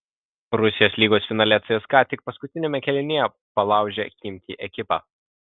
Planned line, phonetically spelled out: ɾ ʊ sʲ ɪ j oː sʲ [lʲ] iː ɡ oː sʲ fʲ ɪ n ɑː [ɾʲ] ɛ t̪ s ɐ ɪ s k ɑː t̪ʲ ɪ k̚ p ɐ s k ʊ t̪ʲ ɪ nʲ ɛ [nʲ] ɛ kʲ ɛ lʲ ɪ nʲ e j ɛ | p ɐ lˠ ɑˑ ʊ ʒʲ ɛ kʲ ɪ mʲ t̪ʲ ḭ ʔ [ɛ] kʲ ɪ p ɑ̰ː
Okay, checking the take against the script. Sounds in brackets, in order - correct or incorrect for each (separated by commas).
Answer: correct, incorrect, incorrect, correct